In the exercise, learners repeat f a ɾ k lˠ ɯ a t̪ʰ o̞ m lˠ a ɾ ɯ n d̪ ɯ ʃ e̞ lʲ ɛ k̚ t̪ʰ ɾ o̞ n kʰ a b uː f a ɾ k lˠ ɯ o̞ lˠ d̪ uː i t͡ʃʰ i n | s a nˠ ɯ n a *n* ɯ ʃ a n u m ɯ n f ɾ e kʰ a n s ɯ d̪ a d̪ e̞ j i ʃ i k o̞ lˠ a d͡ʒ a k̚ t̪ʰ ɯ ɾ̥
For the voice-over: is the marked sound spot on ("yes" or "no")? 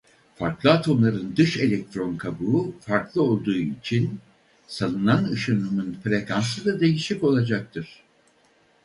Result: yes